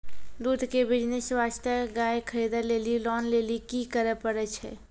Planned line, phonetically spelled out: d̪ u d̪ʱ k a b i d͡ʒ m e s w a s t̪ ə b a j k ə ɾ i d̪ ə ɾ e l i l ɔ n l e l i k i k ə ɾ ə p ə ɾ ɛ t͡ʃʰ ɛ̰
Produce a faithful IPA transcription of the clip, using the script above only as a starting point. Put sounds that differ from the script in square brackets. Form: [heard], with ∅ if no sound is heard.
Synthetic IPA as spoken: d̪ u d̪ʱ k [e] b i d͡ʒ [n] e s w a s t̪ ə [ɡ] a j [kʰ] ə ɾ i d̪ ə [l] e l i l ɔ n l e l i k i k ə ɾ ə p ə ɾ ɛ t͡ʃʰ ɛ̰